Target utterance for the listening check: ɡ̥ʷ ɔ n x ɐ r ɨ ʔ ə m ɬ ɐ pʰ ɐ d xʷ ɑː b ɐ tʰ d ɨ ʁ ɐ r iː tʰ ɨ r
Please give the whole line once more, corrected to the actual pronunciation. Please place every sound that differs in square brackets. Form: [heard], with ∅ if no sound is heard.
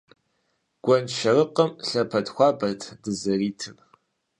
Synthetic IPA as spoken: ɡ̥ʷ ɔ n [ʃ] ɐ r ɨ [q] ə m ɬ ɐ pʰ ɐ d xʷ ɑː b ɐ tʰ d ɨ [z] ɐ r iː tʰ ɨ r